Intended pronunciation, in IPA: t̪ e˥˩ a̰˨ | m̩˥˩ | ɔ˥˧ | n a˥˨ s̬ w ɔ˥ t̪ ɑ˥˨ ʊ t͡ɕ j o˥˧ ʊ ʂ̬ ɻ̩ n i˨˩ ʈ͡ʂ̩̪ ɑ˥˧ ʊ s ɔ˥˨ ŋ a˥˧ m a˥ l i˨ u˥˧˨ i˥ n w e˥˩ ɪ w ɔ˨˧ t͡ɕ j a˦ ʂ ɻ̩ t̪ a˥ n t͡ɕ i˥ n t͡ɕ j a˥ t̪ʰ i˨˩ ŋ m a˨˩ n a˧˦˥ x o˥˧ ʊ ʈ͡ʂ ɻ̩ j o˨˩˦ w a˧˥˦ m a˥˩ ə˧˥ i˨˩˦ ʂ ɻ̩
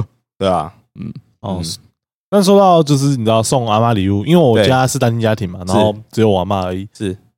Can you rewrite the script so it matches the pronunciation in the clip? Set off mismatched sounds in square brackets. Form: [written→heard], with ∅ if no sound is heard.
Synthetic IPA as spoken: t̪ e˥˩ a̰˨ | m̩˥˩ | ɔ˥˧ | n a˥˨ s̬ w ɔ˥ t̪ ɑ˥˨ ʊ t͡ɕ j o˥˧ ʊ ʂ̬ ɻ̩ n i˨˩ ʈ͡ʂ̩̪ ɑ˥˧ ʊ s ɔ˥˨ ŋ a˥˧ m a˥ l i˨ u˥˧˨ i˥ n w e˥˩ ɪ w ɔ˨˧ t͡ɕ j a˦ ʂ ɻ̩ t̪ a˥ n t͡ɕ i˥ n t͡ɕ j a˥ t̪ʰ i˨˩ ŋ m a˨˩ n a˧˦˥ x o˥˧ ʊ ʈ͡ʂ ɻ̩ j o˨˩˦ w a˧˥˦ m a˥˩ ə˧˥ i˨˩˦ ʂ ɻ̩